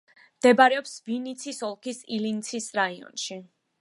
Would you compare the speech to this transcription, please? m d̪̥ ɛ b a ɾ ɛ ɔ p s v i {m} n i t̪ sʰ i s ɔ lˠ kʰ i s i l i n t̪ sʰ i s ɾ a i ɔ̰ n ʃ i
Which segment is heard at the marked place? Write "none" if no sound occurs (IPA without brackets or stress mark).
none